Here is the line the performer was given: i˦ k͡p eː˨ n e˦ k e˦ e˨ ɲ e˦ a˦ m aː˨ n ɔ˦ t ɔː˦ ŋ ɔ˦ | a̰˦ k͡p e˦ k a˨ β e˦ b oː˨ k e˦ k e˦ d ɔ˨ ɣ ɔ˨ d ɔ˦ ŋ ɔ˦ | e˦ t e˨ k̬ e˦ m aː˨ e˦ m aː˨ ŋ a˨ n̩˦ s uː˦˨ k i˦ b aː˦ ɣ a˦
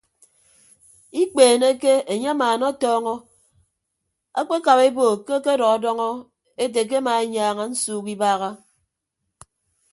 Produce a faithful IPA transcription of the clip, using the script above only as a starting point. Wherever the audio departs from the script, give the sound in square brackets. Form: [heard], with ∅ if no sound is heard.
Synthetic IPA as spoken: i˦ k͡p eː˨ n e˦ k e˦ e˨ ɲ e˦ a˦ m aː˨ n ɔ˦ t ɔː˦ ŋ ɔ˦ | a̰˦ k͡p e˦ k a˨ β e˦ b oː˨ k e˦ k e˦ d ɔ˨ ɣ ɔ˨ d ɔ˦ ŋ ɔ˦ | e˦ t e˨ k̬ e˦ m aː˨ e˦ [ɲ] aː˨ ŋ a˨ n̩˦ s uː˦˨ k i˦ b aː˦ ɣ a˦